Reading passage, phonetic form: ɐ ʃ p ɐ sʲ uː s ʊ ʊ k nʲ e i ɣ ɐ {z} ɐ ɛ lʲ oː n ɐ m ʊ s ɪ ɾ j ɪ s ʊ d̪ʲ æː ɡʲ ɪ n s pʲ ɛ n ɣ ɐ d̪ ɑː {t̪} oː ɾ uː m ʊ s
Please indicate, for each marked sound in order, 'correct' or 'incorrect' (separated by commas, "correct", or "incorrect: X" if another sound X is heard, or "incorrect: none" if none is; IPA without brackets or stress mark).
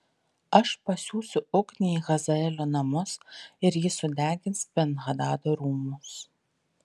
correct, incorrect: d̪